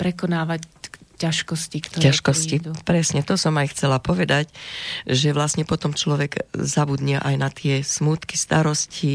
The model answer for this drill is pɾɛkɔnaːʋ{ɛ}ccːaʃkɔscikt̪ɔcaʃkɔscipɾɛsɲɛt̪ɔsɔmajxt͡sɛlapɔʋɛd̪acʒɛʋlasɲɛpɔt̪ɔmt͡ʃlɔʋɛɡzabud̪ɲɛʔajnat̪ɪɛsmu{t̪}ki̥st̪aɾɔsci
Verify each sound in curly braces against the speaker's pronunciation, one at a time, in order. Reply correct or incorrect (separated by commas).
incorrect, correct